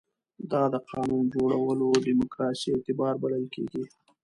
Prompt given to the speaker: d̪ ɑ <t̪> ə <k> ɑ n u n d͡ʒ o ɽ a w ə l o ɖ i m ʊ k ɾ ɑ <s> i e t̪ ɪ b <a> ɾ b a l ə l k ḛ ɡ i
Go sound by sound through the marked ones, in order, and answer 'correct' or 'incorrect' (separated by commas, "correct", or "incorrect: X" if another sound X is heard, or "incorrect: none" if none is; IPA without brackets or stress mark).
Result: incorrect: d̪, incorrect: q, correct, incorrect: ɑ